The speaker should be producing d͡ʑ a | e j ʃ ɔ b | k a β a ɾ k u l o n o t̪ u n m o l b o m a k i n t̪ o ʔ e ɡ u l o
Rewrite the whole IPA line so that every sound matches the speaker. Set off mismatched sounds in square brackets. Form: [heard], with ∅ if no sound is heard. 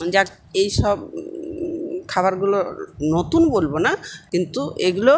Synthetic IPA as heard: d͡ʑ a | e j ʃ ɔ b | [kʰ] a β a ɾ [ɡ] u l o n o t̪ u n [b] o l b o [n] a k i n t̪ [u] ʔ e ɡ u l o